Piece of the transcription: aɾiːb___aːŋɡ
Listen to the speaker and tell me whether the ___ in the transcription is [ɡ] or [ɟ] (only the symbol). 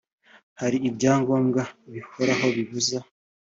ɟ